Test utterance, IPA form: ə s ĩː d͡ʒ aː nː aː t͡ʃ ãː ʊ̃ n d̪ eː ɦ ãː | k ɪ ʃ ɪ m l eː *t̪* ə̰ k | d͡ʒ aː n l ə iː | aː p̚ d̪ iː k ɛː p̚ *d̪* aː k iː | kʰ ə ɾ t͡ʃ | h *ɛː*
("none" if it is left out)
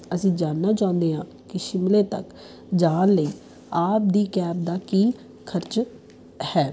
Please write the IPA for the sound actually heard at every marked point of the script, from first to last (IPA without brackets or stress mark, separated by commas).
t̪, d̪, ɛː